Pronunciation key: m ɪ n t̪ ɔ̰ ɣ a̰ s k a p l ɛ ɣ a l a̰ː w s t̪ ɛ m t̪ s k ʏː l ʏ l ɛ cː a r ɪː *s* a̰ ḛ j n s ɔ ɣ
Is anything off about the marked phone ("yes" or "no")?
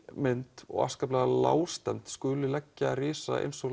no